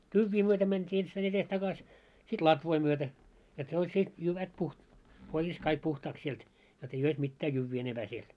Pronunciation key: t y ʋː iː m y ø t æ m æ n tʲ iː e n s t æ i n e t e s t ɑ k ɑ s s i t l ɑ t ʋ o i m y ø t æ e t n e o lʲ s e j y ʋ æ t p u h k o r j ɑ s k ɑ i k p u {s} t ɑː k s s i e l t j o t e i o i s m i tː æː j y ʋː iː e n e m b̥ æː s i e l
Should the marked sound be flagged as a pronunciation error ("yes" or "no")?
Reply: yes